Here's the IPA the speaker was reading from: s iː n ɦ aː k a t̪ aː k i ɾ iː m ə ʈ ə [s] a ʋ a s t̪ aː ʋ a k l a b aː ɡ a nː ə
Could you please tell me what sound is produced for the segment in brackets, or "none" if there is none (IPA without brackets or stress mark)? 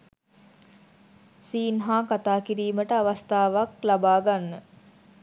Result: none